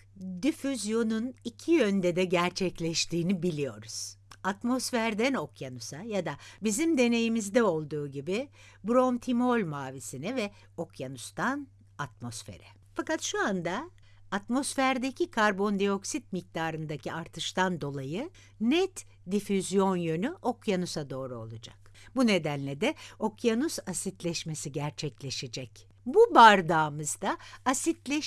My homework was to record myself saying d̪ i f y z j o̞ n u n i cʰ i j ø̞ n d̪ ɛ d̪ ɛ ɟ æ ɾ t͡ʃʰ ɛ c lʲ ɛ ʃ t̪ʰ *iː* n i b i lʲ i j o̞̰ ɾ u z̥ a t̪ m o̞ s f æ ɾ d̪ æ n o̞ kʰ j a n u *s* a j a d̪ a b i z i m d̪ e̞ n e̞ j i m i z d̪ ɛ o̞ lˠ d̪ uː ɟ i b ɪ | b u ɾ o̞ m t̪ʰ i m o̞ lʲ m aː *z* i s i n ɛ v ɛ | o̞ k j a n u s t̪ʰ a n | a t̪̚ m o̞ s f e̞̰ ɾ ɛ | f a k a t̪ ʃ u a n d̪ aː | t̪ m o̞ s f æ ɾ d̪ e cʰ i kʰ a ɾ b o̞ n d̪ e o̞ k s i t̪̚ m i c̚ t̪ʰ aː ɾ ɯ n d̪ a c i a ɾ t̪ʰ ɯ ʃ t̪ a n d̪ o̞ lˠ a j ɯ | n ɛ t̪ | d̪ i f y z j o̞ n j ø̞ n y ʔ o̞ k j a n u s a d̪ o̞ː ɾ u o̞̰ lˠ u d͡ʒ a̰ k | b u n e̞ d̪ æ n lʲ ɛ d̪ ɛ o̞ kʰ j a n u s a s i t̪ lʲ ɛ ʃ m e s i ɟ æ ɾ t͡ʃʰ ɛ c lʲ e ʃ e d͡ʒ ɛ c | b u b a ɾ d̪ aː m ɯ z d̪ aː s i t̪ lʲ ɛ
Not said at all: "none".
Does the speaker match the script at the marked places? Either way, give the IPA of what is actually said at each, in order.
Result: iː, s, v

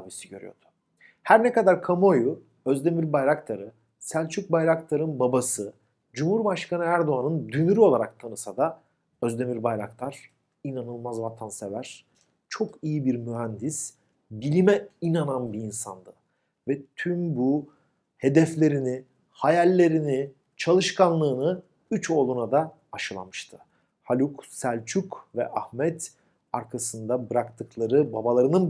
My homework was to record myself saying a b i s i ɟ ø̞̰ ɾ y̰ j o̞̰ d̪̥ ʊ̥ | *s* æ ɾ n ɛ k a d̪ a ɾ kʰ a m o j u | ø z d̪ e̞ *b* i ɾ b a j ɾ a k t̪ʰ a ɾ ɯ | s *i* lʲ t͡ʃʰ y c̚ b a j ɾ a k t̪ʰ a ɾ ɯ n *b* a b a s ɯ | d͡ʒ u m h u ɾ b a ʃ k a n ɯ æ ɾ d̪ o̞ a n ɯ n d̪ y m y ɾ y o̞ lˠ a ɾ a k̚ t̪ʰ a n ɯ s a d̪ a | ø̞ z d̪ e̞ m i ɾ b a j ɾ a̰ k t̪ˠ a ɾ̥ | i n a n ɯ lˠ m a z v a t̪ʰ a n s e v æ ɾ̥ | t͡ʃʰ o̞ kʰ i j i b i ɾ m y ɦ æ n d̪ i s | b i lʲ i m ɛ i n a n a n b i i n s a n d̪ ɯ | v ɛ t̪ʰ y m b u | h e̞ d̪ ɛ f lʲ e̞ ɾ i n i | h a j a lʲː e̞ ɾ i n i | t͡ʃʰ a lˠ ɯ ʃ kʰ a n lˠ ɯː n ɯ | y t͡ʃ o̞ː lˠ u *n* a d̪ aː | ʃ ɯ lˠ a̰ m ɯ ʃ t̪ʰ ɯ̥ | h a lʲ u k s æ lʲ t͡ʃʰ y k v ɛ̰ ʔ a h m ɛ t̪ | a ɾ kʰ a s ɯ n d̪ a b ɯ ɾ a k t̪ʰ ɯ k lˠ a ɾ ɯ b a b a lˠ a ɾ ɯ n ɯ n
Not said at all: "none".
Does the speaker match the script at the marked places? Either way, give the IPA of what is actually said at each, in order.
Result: h, m, æ, b, n

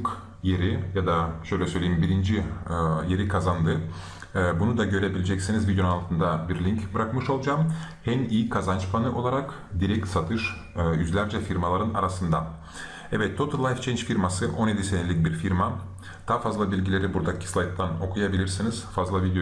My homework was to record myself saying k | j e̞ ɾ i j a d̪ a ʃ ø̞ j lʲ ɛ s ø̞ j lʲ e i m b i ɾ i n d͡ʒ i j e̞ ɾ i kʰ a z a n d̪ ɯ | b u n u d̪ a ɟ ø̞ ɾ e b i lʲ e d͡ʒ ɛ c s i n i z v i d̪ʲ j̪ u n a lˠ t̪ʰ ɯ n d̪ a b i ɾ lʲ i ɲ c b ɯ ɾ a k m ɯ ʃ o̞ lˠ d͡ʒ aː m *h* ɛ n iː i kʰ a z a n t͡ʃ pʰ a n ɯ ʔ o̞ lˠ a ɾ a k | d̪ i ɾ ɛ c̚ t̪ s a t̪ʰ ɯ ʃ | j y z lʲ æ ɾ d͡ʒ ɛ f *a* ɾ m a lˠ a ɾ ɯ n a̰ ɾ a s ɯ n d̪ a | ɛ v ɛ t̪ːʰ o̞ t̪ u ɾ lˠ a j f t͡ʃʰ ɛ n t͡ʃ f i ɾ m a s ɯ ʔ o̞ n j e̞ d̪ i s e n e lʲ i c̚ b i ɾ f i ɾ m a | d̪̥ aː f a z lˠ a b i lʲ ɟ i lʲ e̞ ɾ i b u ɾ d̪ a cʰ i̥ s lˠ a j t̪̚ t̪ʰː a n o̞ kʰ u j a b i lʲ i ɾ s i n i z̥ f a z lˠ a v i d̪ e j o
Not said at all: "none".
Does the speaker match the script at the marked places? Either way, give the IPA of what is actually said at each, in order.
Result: h, i

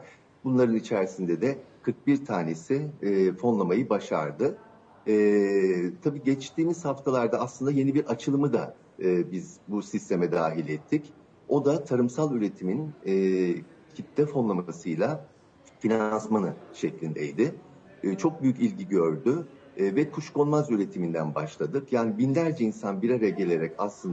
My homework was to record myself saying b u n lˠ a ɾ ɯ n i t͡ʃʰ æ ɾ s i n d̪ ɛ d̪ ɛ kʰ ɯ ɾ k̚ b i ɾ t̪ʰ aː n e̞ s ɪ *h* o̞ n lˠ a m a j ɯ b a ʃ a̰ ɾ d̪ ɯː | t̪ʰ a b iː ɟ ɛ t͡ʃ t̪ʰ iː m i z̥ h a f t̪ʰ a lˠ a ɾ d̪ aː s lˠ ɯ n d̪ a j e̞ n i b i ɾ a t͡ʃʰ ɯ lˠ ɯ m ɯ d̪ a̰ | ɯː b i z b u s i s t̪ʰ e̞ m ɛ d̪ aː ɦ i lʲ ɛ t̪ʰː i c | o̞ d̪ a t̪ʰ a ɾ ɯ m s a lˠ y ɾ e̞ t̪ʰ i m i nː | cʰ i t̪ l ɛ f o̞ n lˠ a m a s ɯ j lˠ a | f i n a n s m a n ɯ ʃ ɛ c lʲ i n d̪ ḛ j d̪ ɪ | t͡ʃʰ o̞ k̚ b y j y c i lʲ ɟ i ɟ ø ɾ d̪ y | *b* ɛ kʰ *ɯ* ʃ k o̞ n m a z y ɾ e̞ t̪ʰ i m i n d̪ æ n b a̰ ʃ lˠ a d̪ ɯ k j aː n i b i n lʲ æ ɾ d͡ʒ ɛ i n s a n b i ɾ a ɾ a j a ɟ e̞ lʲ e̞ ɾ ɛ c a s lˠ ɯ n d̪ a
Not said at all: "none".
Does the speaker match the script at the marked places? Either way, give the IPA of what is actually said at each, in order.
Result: f, v, u

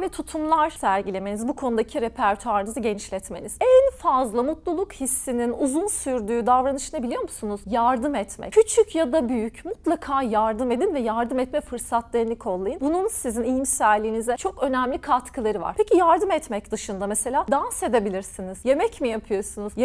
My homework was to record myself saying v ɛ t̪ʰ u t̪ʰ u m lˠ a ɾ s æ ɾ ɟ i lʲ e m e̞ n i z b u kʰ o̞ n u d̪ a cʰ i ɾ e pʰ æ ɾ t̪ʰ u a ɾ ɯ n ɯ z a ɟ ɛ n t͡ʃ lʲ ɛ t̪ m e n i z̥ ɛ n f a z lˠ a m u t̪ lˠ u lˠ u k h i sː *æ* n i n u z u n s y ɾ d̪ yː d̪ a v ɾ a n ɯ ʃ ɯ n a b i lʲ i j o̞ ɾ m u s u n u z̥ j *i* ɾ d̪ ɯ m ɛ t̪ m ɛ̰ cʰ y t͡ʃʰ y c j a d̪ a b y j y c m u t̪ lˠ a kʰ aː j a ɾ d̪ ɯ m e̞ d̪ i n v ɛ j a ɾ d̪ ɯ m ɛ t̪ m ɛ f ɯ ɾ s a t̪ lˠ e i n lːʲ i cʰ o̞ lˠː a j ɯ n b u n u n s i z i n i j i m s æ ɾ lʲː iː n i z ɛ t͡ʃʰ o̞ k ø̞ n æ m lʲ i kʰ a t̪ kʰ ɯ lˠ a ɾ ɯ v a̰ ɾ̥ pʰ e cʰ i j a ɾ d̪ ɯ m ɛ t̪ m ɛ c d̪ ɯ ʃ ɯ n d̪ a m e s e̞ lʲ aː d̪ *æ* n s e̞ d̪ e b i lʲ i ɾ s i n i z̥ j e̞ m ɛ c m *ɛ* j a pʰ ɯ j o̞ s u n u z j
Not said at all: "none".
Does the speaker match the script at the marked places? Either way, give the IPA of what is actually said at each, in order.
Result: i, a, a, i

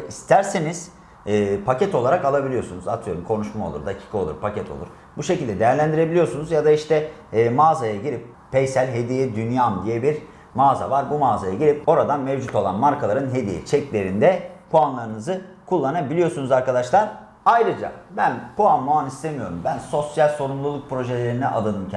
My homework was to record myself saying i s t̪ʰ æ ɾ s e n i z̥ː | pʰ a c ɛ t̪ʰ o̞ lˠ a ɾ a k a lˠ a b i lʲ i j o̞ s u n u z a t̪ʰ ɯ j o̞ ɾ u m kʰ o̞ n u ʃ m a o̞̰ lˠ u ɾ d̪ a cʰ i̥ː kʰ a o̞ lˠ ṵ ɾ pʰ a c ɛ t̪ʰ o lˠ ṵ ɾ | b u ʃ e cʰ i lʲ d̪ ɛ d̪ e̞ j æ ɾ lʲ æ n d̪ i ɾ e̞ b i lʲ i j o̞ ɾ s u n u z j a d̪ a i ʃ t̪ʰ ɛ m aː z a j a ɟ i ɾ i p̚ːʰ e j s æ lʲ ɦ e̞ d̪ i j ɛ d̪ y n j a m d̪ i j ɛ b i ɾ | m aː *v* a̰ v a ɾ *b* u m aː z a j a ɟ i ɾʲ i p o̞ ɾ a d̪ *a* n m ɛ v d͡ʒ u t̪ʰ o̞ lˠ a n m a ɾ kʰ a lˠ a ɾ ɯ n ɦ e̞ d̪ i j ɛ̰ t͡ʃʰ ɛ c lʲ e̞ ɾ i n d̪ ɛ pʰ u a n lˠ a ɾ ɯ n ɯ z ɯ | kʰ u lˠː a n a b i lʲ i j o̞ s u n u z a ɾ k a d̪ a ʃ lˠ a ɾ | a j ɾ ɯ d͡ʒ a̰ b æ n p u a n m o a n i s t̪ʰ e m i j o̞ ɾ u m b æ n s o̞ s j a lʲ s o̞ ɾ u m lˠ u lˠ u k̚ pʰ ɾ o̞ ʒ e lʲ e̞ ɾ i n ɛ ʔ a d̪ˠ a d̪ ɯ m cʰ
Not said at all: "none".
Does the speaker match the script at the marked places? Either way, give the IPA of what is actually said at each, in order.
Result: z, b, a

